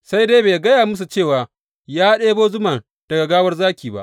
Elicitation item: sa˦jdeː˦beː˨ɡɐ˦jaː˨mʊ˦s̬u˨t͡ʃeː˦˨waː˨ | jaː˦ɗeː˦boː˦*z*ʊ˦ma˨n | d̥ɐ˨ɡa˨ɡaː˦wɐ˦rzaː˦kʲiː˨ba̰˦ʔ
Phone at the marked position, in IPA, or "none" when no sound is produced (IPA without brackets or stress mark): z